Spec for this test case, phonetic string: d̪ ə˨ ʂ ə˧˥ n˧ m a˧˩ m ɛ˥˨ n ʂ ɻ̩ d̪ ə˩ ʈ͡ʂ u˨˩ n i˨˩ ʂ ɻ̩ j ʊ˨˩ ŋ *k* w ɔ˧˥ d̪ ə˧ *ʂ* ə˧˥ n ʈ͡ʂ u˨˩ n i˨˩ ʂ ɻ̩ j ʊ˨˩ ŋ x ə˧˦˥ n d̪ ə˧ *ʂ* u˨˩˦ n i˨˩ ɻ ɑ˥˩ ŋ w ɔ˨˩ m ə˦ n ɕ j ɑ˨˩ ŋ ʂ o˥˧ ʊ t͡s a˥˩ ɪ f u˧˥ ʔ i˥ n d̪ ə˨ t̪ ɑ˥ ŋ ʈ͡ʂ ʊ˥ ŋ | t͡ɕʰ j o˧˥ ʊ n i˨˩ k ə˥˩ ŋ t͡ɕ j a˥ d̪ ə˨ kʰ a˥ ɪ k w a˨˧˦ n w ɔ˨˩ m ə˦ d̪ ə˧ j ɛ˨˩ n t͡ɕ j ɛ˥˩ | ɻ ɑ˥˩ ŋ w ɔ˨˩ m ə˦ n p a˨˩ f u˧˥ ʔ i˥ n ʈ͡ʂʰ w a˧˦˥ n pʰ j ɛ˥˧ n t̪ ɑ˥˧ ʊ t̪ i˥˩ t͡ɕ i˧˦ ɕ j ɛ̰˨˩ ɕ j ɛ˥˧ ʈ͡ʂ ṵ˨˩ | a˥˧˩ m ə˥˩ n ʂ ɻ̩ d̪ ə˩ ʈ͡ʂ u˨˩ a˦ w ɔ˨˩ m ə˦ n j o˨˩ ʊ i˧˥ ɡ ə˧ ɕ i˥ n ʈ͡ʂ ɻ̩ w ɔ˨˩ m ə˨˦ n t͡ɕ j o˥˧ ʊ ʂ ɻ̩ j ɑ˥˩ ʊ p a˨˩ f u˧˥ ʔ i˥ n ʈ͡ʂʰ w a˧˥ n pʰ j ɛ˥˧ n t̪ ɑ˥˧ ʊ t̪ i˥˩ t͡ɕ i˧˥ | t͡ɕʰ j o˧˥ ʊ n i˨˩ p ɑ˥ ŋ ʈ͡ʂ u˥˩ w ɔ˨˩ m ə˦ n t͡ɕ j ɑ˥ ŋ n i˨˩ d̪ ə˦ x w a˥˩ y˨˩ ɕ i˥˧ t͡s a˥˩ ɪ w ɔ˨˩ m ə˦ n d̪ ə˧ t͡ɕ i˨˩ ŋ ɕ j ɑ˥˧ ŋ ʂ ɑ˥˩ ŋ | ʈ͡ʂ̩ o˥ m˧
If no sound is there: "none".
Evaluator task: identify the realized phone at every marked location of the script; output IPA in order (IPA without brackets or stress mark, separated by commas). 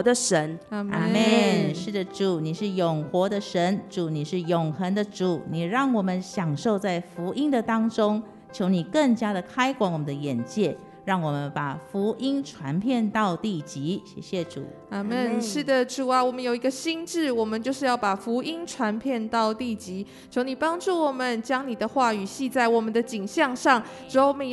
x, ʂ, ʈ͡ʂ